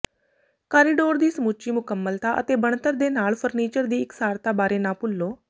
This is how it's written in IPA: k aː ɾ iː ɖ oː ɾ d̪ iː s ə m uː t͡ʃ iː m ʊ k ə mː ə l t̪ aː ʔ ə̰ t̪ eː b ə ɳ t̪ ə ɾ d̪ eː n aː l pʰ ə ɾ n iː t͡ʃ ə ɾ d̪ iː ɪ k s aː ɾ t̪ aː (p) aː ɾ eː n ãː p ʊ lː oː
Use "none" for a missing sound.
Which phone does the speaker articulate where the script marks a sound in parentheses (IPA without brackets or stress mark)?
b